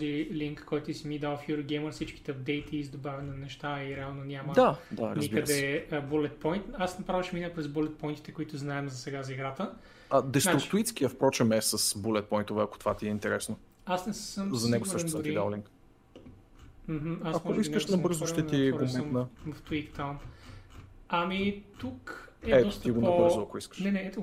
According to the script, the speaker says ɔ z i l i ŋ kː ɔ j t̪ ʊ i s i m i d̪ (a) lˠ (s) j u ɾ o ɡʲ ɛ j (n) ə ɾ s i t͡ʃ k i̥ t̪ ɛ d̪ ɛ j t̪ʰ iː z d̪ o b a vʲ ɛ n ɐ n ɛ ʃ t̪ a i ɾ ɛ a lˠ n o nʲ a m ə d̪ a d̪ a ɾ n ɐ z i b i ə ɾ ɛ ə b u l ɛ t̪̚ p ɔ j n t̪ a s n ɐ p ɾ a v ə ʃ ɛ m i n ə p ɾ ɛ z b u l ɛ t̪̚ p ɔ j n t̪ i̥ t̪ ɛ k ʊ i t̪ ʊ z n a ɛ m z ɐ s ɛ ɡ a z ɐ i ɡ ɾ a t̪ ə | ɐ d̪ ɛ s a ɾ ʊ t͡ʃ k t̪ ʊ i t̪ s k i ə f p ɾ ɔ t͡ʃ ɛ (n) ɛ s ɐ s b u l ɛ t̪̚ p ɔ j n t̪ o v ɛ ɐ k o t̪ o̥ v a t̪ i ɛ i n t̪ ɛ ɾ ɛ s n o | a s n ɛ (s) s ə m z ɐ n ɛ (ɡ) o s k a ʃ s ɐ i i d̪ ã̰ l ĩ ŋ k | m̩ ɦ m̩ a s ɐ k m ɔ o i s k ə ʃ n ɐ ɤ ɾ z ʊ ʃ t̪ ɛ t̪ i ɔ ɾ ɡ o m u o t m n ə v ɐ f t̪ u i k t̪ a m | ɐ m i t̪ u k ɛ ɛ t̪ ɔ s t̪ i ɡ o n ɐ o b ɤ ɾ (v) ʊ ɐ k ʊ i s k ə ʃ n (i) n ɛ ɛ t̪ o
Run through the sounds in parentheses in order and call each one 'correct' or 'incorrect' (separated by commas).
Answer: correct, incorrect, incorrect, incorrect, correct, correct, incorrect, incorrect